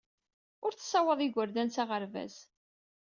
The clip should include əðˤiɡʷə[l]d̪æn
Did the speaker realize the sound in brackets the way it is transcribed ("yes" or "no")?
no